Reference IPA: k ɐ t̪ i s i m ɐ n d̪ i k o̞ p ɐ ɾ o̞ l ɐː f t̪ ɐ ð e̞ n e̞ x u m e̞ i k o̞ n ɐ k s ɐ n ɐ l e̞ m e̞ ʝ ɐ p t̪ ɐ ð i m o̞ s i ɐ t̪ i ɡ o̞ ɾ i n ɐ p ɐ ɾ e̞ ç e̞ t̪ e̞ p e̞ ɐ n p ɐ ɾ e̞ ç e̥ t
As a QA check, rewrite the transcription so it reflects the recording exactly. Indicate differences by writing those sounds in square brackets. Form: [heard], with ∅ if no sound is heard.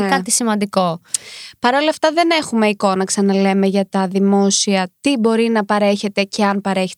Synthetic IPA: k ɐ t̪ i s i m ɐ n d̪ i k o̞ p ɐ ɾ o̞ l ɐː f t̪ ɐ ð e̞ n e̞ x u m e̞ i k o̞ n ɐ k s ɐ n ɐ l e̞ m e̞ ʝ ɐ [∅] t̪ ɐ ð i m o̞ s i ɐ t̪ i [b] o̞ ɾ i n ɐ p ɐ ɾ e̞ ç e̞ t̪ e̞ [c] e̞ ɐ n p ɐ ɾ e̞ ç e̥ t